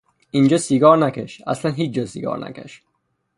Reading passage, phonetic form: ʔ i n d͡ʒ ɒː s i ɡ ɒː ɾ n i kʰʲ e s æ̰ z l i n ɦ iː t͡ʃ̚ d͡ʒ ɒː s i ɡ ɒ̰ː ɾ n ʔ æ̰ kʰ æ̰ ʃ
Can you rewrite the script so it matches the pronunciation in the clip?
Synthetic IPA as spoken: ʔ i n d͡ʒ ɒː s i ɡ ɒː ɾ n æ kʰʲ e ʃ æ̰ s l æ n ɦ iː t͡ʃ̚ d͡ʒ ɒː s i ɡ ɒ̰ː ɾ n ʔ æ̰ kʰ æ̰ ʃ